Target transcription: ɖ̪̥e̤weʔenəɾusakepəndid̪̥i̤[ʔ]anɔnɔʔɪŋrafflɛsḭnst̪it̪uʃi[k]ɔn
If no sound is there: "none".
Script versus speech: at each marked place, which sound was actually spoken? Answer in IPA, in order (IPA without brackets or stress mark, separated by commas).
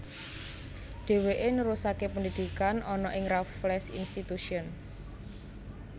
k, none